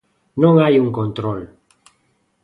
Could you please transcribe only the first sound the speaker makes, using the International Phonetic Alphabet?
n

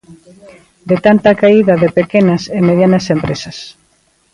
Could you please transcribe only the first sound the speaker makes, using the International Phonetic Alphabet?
d̪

